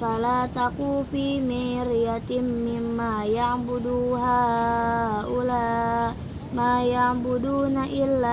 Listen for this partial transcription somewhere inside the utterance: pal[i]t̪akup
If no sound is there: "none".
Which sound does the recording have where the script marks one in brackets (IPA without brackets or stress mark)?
a